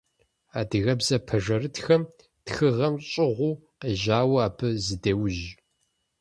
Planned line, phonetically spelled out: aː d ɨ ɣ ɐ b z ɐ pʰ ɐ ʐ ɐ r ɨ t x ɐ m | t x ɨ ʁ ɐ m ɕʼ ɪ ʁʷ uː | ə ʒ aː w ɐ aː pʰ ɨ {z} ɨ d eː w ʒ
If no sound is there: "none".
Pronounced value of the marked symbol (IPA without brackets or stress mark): z